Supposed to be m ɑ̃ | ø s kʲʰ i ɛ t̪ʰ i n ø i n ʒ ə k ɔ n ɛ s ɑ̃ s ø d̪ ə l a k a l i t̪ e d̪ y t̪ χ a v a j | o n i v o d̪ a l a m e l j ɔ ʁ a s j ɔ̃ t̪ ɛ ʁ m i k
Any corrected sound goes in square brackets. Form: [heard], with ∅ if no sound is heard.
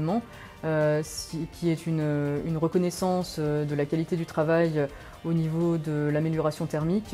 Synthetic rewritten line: m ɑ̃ | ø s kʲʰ i ɛ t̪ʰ [y] n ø [y] n [ʁ] ə k ɔ n ɛ s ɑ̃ s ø d̪ ə l a k a l i t̪ e d̪ y t̪ χ a v a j | o n i v o d̪ [ə] l a m e l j ɔ ʁ a s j ɔ̃ t̪ ɛ ʁ m i k

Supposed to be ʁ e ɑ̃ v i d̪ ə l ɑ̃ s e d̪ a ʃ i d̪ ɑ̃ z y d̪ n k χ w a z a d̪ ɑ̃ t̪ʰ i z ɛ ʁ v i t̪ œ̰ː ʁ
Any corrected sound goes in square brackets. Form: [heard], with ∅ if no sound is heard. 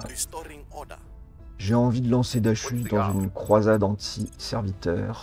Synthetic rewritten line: [ʒ] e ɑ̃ v i d̪ ə l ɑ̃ s e d̪ a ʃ [y] d̪ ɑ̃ z y [∅] n k χ w a z a d̪ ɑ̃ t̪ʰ i [s] ɛ ʁ v i t̪ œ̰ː ʁ

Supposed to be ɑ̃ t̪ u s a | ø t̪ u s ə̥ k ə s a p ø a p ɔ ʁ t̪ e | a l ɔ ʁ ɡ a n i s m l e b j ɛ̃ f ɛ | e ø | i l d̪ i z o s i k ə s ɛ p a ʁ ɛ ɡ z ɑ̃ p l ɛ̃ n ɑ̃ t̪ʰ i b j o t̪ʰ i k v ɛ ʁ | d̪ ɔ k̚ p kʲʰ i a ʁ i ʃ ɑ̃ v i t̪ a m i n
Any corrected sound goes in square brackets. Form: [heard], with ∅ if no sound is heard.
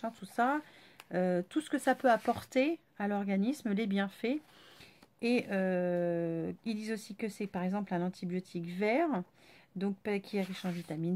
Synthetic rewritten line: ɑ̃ t̪ u s a | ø t̪ u s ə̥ k ə s a p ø a p ɔ ʁ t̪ e | a l ɔ ʁ ɡ a n i s m l e b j ɛ̃ f ɛ | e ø | i l d̪ i z o s i k ə s ɛ p a ʁ ɛ ɡ z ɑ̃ p l ɛ̃ n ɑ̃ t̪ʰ i b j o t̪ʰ i k v ɛ ʁ | d̪ [ɔ̃] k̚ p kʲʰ i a ʁ i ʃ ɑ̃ v i t̪ a m i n

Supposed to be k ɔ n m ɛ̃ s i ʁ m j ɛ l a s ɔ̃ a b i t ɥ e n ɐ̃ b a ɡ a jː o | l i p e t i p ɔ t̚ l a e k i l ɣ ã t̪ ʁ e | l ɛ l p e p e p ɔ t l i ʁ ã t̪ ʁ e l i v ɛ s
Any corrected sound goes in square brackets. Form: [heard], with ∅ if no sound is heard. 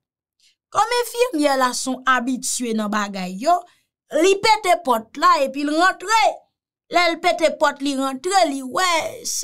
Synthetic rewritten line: k ɔ [∅] m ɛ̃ [f] i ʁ m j ɛ l a s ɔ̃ a b i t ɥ e n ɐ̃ b a ɡ a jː o | l i p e t [e] p ɔ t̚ l a e [p] i l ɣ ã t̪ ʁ e | l ɛ l p e [t] e p ɔ t l i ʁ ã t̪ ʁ e l i [w] ɛ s

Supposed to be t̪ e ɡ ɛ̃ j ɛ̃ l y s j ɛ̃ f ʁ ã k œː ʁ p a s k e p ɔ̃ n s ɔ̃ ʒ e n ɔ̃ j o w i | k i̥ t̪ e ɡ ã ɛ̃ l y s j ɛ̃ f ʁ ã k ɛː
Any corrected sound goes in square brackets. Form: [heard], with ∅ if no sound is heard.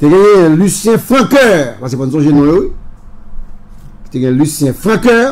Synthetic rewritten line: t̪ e ɡ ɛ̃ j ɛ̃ l y s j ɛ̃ f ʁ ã k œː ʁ p a s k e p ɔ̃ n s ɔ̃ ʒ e n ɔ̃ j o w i | k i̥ t̪ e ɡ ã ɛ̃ l y s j ɛ̃ f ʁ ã k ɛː

